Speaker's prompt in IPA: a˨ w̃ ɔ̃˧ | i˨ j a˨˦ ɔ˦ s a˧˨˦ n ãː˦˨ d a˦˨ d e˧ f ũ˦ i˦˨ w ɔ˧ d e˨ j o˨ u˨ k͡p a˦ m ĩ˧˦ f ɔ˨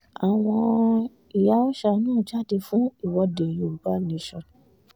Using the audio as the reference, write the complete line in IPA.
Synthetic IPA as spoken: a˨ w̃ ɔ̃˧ | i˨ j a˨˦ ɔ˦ ʃ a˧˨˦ n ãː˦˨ d͡ʒ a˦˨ d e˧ f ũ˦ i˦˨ w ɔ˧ d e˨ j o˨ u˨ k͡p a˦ n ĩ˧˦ ʃ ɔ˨